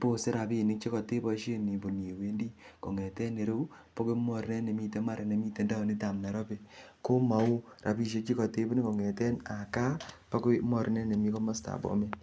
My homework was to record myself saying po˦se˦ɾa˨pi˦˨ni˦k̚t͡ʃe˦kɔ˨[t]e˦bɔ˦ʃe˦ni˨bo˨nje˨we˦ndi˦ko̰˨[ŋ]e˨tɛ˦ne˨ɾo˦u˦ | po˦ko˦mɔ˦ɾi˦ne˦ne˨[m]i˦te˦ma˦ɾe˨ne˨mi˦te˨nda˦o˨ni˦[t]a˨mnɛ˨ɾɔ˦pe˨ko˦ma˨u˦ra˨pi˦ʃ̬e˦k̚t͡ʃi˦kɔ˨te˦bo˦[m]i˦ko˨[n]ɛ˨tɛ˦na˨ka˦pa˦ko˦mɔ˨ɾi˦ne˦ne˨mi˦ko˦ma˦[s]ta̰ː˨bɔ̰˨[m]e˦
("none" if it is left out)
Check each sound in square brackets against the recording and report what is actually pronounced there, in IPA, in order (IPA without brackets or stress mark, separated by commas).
t, ŋ, m, t, n, ŋ, s, m